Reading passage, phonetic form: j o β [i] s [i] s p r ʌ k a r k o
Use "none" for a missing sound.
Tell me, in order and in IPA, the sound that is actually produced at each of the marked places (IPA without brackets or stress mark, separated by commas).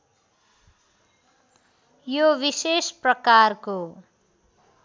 i, e